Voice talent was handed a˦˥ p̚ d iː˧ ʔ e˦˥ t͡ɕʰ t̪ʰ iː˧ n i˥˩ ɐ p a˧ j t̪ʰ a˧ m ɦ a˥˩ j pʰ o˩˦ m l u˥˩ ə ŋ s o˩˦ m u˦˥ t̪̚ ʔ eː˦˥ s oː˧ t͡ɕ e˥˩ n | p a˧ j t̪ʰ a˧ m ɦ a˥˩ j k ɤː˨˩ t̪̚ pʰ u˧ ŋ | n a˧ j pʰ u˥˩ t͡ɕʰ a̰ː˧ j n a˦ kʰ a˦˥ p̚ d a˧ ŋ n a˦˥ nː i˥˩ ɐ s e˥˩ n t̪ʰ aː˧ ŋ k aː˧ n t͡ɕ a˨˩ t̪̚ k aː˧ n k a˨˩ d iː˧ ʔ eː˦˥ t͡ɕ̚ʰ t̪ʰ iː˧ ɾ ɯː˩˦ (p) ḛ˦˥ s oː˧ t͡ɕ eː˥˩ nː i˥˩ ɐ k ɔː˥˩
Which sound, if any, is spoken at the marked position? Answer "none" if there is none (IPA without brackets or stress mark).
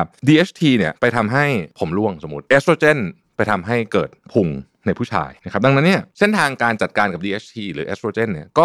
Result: ʔ